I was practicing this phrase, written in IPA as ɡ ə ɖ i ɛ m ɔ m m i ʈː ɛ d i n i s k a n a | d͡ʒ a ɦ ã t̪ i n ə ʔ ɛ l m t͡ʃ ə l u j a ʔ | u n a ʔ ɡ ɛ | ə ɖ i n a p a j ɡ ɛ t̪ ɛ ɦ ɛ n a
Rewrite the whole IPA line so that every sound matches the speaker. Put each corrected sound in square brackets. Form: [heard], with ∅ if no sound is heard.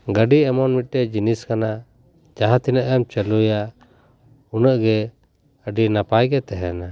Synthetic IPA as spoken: ɡ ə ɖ i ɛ m ɔ [n] m i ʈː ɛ [d͡ʒ] i n i s k a n a | d͡ʒ a ɦ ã t̪ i n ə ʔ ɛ [∅] m t͡ʃ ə l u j a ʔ | u n [ə] ʔ ɡ ɛ | ə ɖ i n a p a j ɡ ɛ t̪ ɛ ɦ ɛ n a